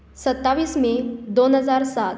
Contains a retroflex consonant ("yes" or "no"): no